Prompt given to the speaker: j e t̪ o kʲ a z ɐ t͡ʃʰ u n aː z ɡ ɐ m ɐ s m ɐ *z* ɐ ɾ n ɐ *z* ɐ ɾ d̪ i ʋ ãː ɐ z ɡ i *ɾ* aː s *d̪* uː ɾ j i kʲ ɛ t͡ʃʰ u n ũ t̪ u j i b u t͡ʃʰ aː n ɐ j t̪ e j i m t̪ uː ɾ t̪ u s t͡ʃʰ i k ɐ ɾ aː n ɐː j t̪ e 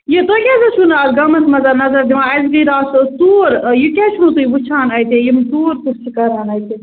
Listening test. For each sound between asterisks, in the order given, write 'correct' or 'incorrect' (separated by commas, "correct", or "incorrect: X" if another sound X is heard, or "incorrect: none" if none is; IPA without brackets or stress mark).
correct, correct, correct, incorrect: t̪